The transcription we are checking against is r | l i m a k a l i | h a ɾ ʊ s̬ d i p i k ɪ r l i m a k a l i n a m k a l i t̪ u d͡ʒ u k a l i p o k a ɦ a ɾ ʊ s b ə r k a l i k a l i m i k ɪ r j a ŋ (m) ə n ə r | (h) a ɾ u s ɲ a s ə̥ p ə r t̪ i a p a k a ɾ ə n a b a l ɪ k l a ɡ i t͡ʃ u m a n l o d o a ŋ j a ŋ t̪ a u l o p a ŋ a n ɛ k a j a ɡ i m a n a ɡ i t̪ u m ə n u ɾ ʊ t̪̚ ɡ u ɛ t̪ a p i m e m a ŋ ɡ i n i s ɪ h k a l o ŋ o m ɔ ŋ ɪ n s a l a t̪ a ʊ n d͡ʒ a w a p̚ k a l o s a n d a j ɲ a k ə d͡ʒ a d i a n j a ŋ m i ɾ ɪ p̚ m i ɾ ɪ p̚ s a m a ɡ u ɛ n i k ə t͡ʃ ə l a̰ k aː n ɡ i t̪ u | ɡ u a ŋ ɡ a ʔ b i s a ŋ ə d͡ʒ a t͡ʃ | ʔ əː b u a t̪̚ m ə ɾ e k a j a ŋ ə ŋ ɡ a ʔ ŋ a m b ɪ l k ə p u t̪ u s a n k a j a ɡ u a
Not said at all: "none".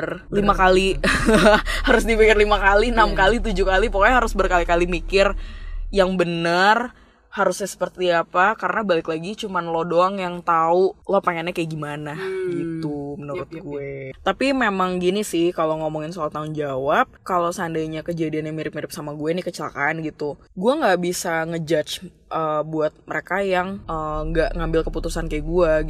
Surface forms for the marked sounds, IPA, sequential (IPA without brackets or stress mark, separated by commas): b, h